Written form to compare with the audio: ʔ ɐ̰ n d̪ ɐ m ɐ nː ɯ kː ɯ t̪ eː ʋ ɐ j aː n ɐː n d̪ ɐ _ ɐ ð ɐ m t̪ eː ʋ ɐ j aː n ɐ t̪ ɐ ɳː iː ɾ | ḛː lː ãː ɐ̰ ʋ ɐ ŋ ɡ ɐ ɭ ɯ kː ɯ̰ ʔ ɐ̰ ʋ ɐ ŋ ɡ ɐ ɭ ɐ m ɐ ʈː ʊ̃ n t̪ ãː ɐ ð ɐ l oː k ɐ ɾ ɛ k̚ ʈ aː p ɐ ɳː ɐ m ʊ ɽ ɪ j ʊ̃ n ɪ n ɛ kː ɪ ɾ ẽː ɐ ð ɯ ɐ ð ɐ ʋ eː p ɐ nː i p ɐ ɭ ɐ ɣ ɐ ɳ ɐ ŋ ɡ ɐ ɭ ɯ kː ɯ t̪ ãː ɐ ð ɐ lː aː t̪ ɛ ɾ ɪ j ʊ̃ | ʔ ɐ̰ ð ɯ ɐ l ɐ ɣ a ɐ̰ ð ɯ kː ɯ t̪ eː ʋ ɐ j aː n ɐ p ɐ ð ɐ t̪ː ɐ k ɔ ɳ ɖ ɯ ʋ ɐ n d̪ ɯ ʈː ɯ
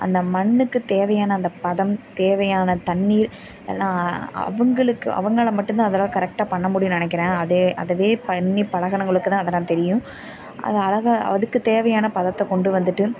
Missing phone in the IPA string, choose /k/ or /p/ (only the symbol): p